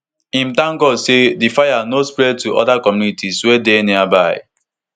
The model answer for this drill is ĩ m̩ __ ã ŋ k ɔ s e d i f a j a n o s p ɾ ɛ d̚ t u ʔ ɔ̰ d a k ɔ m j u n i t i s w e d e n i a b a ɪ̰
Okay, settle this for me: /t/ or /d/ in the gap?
t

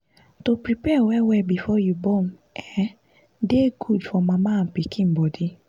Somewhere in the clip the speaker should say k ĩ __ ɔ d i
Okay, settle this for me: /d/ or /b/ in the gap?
b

